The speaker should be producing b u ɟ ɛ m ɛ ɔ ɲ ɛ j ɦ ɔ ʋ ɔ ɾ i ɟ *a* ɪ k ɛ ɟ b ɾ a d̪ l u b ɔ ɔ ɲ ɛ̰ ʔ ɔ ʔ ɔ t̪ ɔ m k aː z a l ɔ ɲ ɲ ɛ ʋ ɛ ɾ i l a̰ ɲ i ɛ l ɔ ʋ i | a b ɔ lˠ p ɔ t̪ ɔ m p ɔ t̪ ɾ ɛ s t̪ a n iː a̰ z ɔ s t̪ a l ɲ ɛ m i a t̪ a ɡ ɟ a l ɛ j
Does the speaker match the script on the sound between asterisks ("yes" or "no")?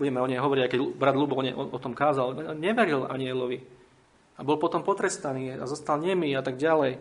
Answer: yes